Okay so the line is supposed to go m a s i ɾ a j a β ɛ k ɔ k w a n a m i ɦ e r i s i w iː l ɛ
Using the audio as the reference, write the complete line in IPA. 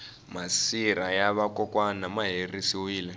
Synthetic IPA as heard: m a s i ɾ a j a β a k ɔ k w a n a m a ɦ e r i s i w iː l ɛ